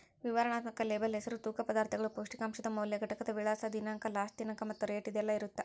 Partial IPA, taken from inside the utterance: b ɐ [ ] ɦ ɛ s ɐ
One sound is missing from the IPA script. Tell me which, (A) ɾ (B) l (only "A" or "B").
B